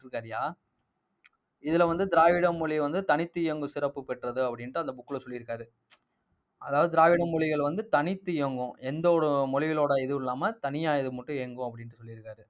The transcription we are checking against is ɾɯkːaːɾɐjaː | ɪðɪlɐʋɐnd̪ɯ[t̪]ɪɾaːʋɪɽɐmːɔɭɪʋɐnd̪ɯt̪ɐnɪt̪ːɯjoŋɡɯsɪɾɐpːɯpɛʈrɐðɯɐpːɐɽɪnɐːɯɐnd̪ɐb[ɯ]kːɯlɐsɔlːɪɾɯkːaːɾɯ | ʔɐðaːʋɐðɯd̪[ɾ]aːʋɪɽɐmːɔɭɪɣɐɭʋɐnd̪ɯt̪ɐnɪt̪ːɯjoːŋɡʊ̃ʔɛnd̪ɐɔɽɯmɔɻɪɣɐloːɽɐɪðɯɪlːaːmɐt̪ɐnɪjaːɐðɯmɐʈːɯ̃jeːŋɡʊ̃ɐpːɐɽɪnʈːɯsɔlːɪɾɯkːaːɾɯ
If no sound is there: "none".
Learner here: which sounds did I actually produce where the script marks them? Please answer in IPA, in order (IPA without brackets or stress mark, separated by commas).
d̪, ʊ, ɾ